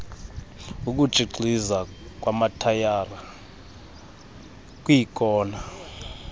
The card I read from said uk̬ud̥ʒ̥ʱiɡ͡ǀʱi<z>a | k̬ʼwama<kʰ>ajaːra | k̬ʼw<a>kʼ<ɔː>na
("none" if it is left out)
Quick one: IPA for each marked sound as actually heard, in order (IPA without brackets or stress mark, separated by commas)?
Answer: z, tʰ, i, ɔː